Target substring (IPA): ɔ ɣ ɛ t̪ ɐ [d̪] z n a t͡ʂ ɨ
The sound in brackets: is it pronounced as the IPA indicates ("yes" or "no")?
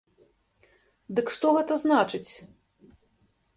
no